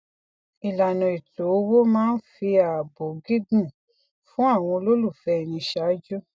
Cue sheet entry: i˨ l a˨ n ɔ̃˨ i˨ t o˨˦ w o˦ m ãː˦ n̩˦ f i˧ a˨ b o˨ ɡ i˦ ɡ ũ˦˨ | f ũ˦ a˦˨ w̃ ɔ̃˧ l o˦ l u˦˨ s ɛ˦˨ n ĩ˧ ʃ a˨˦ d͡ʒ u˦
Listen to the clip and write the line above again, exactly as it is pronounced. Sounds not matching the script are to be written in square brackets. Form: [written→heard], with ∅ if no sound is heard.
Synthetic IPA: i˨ l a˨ n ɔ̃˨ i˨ t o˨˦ w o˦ m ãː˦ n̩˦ f i˧ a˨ b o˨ ɡ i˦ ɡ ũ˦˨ | f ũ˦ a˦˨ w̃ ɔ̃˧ l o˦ l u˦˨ [s→f] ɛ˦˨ n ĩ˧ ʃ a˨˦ d͡ʒ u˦